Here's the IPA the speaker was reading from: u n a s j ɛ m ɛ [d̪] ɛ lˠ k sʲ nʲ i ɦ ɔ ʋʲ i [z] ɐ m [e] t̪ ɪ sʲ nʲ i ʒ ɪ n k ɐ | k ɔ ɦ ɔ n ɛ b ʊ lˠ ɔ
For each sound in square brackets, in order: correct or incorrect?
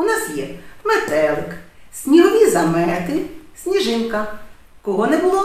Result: incorrect: t̪, correct, incorrect: ɛ

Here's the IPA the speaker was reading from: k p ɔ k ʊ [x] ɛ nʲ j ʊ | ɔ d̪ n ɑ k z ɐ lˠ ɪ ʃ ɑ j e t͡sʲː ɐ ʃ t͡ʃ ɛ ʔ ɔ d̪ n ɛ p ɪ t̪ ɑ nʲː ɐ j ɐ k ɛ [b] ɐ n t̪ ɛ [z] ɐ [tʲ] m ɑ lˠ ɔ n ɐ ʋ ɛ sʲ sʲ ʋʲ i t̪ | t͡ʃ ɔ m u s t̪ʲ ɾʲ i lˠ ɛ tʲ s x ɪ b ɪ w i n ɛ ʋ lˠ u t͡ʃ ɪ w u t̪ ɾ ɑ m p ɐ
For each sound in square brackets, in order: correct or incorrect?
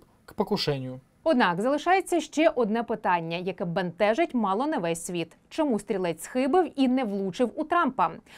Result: incorrect: ʃ, correct, incorrect: ʒ, correct

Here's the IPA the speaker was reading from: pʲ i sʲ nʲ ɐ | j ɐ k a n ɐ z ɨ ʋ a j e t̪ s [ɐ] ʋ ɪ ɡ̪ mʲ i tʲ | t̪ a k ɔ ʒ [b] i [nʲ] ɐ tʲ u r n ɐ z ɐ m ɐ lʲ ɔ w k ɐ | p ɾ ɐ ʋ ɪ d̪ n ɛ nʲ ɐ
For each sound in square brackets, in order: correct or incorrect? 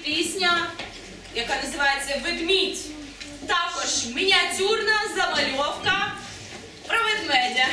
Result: correct, incorrect: m, correct

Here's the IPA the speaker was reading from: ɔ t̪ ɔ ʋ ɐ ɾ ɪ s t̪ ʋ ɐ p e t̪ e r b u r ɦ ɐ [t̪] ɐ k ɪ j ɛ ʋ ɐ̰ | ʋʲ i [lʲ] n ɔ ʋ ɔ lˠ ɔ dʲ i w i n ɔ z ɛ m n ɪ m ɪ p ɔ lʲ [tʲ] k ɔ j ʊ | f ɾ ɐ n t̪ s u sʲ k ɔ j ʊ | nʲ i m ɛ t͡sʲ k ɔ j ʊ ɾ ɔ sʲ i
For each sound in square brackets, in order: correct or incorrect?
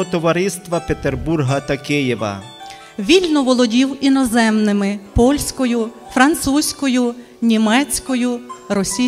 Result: correct, correct, incorrect: sʲ

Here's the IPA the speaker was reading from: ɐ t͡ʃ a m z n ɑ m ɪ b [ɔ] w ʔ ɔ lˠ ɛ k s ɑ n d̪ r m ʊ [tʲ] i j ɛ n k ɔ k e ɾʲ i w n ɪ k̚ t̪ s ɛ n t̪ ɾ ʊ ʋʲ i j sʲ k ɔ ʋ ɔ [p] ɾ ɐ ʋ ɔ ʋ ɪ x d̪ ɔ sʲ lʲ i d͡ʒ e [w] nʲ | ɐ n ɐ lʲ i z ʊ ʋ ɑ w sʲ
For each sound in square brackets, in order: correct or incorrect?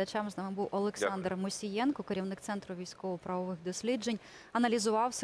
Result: incorrect: u, incorrect: sʲ, correct, incorrect: none

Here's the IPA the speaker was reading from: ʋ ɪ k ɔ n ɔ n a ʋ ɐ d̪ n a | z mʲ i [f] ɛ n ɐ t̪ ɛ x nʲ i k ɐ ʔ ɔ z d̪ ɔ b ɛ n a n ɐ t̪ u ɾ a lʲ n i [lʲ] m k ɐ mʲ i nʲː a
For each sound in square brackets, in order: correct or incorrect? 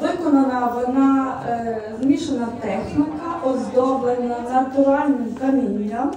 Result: incorrect: ʃ, incorrect: none

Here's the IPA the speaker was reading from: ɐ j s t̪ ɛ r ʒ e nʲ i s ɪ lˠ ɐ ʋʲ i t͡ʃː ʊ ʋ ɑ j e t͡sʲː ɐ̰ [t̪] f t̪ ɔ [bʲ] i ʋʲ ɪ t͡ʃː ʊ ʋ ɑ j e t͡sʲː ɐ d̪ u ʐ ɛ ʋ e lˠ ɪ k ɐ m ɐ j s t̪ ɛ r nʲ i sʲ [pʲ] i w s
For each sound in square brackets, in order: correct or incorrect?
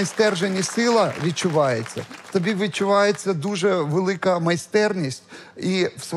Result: incorrect: none, correct, incorrect: tʲ

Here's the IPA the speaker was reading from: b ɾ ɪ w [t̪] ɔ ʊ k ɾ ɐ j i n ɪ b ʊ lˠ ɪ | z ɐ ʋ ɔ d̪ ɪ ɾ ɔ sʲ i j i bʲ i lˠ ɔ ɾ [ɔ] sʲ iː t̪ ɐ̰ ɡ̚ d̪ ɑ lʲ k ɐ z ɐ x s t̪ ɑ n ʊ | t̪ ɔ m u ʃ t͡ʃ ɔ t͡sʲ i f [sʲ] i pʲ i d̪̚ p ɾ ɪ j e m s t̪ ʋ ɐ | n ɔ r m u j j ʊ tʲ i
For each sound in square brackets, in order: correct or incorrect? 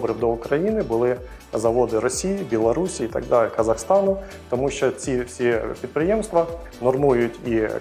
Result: incorrect: d̪, incorrect: u, correct

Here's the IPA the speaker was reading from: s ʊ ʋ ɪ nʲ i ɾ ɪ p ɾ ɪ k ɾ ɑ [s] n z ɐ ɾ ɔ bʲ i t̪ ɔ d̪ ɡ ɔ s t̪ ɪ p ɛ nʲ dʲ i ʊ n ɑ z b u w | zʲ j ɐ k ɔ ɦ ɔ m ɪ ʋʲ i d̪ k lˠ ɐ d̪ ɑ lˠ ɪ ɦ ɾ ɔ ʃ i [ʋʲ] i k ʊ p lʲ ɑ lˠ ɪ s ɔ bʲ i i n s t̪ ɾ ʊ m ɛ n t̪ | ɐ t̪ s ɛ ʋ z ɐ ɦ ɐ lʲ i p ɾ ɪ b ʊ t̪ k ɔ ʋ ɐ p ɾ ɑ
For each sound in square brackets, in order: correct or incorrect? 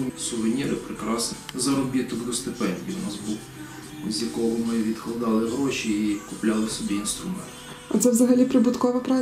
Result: correct, incorrect: none

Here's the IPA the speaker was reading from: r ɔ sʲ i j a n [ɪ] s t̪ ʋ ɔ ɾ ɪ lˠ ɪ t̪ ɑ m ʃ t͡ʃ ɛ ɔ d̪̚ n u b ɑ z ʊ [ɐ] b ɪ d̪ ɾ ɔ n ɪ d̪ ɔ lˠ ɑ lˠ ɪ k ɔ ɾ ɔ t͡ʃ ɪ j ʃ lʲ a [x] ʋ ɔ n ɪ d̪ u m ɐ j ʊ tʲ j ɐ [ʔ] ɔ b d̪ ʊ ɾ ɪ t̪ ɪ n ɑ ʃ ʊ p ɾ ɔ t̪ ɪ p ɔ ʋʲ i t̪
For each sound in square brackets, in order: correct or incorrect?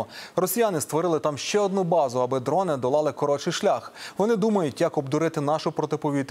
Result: correct, correct, correct, incorrect: k

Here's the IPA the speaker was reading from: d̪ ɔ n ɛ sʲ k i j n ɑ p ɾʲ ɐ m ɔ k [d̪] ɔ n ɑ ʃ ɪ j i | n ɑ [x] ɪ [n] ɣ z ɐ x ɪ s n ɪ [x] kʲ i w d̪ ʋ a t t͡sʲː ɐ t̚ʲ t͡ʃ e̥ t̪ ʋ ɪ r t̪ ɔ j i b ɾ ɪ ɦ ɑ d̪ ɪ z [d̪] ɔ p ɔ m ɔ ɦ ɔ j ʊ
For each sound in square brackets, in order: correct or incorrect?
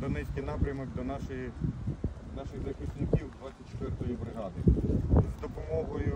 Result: correct, incorrect: ʃ, incorrect: none, incorrect: none, correct

